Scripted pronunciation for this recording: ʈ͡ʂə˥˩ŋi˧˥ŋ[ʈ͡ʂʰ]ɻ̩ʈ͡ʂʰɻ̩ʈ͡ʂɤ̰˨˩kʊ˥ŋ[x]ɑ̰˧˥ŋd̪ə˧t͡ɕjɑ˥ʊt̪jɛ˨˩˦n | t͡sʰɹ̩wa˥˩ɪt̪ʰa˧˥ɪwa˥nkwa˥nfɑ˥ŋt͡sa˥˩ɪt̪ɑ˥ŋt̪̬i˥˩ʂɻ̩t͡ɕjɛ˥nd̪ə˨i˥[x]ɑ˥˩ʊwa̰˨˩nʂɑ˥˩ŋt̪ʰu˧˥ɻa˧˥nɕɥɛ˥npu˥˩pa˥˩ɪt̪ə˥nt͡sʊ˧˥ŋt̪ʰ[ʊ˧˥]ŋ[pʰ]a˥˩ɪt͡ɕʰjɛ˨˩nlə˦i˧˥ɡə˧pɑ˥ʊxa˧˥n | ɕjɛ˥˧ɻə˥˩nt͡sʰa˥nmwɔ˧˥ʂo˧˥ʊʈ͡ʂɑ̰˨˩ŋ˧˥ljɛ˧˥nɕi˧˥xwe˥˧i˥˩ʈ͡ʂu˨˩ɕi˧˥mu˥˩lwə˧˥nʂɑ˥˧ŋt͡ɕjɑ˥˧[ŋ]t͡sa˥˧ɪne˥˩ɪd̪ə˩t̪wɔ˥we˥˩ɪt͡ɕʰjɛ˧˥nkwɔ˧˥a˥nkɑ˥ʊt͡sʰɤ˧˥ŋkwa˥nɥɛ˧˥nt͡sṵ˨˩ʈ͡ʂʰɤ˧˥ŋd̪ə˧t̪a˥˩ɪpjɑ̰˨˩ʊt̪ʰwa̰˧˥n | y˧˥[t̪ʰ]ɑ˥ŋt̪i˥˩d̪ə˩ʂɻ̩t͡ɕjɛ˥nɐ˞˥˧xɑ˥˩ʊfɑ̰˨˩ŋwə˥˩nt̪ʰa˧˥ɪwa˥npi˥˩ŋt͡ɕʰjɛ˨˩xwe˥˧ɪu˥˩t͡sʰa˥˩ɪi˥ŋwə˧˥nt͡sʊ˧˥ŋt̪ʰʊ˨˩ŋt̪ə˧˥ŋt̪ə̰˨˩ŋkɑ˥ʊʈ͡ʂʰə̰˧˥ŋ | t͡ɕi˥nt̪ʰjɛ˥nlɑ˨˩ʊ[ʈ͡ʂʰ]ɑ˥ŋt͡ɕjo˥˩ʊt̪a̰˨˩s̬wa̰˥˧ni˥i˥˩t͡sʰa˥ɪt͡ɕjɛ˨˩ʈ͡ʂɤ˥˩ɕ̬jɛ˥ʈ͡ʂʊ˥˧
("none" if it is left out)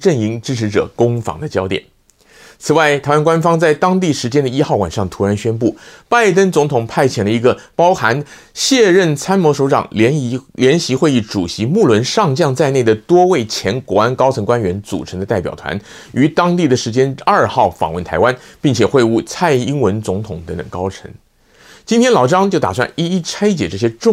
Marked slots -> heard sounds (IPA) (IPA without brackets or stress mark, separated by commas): ʈ͡ʂ, f, x, ʊ˨˩, pʰ, ŋ, t̪, ʈ͡ʂ